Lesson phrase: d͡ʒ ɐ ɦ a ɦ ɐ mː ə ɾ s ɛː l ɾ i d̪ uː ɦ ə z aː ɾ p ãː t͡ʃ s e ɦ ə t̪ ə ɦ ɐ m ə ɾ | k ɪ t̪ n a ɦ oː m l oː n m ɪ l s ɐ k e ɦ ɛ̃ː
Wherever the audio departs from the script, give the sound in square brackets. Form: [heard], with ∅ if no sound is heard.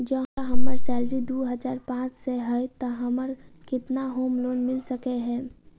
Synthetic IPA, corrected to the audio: d͡ʒ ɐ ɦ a ɦ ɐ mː ə ɾ s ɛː l ɾ i d̪ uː ɦ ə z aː ɾ p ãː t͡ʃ s e ɦ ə t̪ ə ɦ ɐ m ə ɾ | k ɪ t̪ n a ɦ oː m l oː n m ɪ l s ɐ k e ɦ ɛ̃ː